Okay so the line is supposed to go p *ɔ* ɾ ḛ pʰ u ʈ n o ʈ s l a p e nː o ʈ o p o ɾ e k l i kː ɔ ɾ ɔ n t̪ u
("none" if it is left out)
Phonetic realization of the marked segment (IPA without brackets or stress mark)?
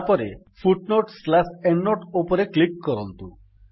ɔ